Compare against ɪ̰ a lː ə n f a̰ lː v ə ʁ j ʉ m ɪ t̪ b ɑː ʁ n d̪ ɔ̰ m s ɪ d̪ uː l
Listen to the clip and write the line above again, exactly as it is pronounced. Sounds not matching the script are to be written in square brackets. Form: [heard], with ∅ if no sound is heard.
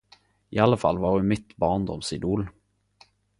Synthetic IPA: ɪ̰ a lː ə [∅] f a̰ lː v [ɑ] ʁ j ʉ m ɪ t̪ b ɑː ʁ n d̪ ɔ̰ m s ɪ d̪ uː l